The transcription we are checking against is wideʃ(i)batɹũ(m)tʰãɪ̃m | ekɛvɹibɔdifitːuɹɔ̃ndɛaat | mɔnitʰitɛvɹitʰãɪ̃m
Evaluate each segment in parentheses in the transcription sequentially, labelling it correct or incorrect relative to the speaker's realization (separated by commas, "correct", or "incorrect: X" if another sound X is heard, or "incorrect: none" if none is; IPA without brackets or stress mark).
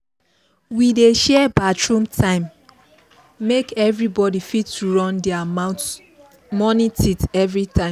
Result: incorrect: ɛ, correct